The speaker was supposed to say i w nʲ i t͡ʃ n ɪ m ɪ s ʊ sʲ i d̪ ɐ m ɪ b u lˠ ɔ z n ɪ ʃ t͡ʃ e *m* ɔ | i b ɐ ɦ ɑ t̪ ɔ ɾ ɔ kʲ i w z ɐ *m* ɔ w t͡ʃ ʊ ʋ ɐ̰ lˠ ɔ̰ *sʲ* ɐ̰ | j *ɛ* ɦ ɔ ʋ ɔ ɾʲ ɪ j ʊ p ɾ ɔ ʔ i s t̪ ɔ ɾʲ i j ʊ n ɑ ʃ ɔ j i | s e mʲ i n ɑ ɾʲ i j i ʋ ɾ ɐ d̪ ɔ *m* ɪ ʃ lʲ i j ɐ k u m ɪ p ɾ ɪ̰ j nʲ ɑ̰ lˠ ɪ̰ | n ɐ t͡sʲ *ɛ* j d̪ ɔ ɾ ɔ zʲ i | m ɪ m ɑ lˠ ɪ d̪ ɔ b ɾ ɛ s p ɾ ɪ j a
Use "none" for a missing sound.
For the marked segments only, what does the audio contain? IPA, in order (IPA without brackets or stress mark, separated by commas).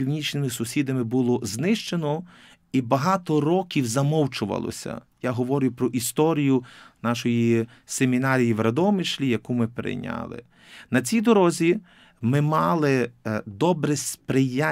n, m, sʲ, a, m, i